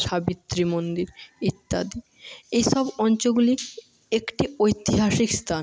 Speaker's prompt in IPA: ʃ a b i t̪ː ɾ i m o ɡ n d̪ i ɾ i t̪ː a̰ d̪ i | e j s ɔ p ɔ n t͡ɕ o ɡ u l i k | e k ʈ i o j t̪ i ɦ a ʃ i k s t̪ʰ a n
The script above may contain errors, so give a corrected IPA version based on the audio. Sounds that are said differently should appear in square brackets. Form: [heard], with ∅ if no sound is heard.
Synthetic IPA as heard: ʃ a b i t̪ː ɾ i m o [∅] n d̪ i ɾ i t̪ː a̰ d̪ i | e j [ʃ] ɔ [b] ɔ n t͡ɕ o ɡ u l i k | e k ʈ i o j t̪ i ɦ a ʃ i k s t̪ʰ a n